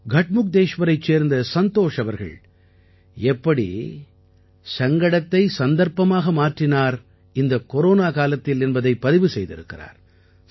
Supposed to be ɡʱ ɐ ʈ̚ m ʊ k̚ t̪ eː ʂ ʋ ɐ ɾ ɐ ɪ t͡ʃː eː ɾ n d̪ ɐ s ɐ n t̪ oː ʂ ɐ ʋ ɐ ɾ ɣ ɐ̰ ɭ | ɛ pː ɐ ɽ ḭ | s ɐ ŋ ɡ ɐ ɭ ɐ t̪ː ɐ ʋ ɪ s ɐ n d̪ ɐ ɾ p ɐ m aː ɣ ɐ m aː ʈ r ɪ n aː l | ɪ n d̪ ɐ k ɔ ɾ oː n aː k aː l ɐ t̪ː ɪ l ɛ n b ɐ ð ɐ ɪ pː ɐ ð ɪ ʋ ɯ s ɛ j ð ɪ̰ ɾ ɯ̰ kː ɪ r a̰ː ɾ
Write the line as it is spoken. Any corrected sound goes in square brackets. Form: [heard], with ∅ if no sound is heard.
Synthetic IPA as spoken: ɡʱ ɐ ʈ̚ m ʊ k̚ [d̪] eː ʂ ʋ ɐ ɾ ɐ ɪ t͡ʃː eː ɾ n d̪ ɐ s ɐ n t̪ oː ʂ ɐ ʋ ɐ ɾ ɣ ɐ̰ ɭ | ɛ pː ɐ ɽ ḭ | s ɐ ŋ ɡ ɐ [ɽ] ɐ t̪ː ɐ [∅] ɪ s ɐ n d̪ ɐ ɾ p ɐ m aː ɣ ɐ m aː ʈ r ɪ n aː [ɾ] | ɪ n d̪ ɐ k ɔ ɾ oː n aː k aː l ɐ t̪ː ɪ l ɛ n b ɐ ð ɐ ɪ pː ɐ ð ɪ ʋ ɯ s ɛ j ð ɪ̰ ɾ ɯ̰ kː ɪ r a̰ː ɾ